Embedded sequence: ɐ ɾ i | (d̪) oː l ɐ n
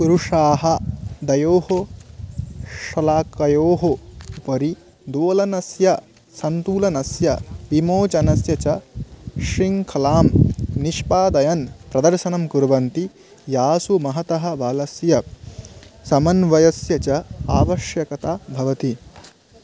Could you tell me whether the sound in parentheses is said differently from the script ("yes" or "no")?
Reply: no